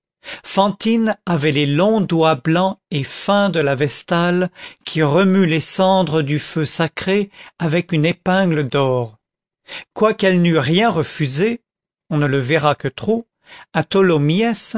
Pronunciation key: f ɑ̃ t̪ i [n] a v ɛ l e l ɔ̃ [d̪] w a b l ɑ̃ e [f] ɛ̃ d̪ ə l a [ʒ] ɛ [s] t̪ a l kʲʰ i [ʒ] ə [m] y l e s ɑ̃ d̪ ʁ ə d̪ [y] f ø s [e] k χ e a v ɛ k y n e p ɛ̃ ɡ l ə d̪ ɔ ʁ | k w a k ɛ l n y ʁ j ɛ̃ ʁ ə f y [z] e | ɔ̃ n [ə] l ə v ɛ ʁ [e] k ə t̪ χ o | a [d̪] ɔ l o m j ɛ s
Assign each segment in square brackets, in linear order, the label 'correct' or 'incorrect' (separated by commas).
correct, correct, correct, incorrect, correct, incorrect, correct, correct, incorrect, correct, correct, incorrect, incorrect